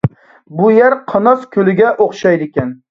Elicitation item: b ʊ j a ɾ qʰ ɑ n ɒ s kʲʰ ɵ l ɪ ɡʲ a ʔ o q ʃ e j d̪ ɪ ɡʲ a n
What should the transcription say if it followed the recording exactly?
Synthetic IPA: b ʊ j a ɾ qʰ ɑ n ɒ s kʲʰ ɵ l ɪ ɡʲ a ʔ o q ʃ a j d̪ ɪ kʲ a n